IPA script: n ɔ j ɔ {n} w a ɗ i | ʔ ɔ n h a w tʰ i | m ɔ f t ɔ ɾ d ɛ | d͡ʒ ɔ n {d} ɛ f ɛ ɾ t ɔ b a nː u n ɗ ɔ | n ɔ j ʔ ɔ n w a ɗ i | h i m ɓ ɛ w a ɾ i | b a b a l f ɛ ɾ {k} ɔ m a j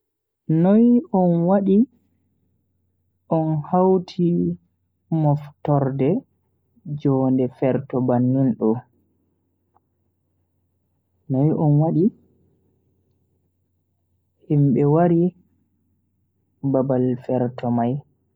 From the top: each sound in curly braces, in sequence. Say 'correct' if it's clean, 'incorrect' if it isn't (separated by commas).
correct, correct, incorrect